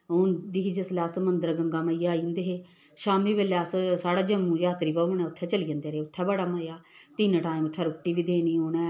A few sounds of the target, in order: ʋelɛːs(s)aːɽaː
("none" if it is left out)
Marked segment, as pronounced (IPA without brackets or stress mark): s